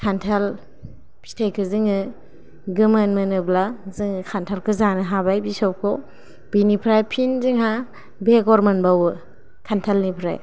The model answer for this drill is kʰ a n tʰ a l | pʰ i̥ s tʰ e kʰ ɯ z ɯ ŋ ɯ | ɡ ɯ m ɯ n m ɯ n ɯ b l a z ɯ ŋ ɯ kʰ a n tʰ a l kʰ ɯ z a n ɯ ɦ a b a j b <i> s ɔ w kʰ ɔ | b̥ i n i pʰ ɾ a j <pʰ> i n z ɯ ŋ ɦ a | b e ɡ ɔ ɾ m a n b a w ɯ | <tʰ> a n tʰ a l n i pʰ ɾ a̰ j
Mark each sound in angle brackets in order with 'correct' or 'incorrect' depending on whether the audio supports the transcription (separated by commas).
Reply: correct, correct, incorrect